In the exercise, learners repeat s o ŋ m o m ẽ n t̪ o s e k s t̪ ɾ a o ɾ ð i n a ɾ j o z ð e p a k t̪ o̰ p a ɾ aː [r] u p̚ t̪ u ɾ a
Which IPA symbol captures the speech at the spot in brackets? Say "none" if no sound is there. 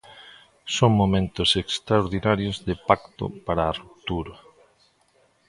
r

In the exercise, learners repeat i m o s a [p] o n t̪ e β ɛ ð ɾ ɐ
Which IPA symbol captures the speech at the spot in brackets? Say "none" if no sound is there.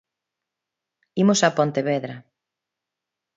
p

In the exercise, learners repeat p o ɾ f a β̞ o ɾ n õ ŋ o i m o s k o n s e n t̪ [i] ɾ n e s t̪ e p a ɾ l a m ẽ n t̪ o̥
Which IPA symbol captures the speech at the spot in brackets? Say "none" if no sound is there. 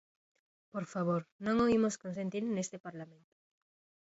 i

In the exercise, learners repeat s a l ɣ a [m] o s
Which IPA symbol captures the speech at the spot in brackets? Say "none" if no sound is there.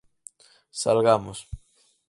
m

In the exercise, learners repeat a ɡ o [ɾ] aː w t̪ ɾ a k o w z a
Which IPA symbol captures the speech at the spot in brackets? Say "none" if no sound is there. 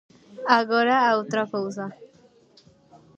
ɾ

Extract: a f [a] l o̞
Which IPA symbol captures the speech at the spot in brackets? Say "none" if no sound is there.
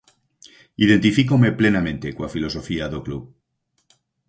i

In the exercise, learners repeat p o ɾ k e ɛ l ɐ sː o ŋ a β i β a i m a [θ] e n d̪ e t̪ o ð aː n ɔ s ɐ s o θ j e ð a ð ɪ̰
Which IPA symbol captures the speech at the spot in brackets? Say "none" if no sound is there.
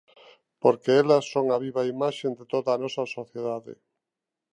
ʃ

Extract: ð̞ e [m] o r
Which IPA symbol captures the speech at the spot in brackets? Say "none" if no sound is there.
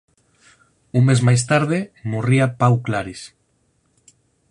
m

